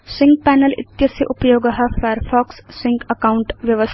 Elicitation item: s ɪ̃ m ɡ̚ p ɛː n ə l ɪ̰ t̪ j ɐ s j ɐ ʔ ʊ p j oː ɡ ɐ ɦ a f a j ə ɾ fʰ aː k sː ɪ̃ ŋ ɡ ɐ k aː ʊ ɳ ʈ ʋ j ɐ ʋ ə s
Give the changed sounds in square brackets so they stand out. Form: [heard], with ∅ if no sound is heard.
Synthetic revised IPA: s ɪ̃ [ŋ] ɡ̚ p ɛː n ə l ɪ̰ t̪ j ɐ s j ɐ ʔ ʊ p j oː ɡ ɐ ɦ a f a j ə ɾ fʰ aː k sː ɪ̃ ŋ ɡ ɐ k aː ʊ ɳ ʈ ʋ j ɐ ʋ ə s